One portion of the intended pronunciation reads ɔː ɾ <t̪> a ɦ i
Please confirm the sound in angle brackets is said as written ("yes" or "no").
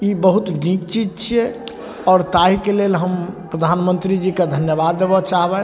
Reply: yes